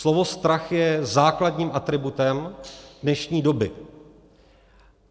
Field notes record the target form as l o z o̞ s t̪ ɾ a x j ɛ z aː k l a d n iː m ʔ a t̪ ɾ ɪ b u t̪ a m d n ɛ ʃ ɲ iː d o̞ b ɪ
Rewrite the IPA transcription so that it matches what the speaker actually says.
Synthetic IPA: l o v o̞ s t̪ ɾ a x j ɛ z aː k l a d ɲ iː m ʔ a t̪ ɾ ɪ b u t̪ ɛ m d n ɛ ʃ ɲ iː d o̞ b ɪ